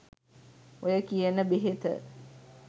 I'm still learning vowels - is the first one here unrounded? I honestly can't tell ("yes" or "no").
no